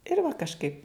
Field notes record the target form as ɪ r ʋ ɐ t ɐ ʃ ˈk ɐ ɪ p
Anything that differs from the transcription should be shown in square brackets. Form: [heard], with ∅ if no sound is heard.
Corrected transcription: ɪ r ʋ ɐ [k] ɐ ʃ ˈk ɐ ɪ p